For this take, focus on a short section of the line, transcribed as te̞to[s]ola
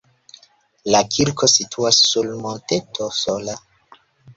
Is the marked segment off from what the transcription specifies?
no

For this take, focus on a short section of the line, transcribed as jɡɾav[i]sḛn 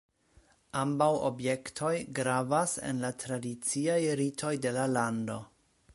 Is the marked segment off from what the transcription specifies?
yes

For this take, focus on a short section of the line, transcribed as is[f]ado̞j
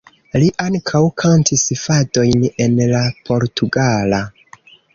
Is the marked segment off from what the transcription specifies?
no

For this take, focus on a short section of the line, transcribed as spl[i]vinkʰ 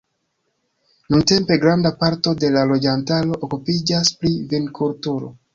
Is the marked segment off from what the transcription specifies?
no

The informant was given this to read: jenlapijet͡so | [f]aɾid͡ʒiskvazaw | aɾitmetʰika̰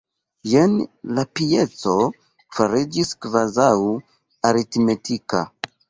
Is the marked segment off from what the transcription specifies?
no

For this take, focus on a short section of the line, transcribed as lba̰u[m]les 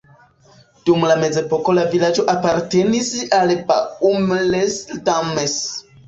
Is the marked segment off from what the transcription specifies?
no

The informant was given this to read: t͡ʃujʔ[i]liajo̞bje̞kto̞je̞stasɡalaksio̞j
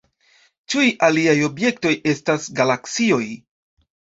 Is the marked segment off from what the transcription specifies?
yes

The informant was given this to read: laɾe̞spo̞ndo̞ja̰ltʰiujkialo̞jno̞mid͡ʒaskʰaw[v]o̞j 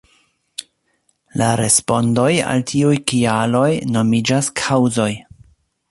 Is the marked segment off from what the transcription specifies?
yes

